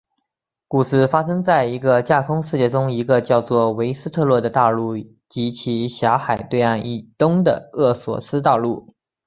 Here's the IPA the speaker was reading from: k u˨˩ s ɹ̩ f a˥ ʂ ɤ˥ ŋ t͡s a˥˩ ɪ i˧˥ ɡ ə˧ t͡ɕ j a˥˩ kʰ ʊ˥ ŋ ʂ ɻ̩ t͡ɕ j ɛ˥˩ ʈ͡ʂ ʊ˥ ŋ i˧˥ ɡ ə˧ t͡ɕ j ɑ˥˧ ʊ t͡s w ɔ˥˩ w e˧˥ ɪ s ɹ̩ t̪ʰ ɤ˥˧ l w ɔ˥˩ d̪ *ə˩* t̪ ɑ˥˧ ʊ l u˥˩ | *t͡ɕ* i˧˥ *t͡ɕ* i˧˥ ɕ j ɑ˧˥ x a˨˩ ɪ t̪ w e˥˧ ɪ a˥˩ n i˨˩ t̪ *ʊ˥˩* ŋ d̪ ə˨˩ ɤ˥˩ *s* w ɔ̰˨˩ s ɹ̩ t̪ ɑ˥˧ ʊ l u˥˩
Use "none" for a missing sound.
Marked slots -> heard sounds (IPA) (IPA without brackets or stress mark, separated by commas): ə˩, t͡ɕ, t͡ɕʰ, ʊ˥, s